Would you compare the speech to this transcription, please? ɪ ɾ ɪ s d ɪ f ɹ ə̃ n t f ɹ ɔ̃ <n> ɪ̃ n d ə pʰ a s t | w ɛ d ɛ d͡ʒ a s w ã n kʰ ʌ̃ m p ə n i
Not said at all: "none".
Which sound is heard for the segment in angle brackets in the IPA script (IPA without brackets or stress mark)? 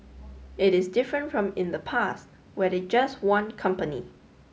m